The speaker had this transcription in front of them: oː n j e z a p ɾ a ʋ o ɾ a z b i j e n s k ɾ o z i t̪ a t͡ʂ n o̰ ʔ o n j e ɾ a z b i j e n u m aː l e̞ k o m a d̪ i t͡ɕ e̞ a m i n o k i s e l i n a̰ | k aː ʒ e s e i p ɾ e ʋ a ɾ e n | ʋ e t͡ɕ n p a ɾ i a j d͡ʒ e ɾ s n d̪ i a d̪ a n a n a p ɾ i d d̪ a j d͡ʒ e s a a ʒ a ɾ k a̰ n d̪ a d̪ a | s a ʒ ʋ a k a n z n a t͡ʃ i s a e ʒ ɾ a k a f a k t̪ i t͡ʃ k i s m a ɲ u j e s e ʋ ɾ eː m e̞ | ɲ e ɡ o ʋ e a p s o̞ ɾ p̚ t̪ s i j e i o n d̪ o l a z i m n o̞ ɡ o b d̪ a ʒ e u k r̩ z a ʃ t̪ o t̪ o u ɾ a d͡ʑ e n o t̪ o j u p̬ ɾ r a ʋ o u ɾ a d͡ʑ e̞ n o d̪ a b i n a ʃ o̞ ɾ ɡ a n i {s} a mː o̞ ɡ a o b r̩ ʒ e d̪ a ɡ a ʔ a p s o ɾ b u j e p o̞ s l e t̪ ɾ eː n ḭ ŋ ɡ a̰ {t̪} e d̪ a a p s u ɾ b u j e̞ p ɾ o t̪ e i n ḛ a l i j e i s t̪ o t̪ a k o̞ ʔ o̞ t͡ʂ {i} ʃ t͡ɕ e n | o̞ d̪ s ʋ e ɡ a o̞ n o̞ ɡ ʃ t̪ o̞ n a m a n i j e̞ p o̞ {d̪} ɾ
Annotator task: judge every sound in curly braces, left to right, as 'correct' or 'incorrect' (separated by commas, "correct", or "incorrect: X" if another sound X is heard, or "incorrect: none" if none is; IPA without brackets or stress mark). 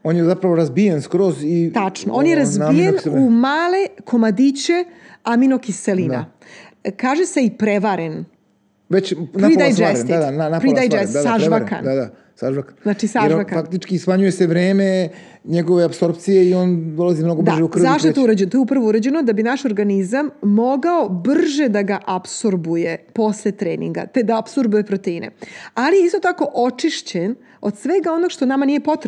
incorrect: z, correct, correct, incorrect: t̪